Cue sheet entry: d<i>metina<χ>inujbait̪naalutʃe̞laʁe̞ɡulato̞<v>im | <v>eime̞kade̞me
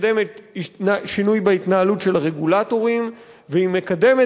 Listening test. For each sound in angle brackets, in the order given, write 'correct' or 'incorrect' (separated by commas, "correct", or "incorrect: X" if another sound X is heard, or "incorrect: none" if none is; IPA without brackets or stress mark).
incorrect: e, incorrect: ʃ, incorrect: ʁ, correct